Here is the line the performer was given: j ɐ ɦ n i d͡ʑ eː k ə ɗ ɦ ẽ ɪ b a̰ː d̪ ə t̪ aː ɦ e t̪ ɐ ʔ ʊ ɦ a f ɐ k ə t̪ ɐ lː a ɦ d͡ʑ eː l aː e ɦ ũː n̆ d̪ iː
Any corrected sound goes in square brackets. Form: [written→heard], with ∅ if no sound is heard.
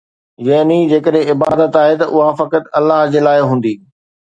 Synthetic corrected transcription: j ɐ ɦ n i d͡ʑ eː k ə ɗ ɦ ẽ ɪ b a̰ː d̪ ə t̪ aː ɦ e t̪ ɐ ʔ ʊ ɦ a f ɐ k ə t̪ ɐ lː a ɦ d͡ʑ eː l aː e ɦ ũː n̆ d̪ iː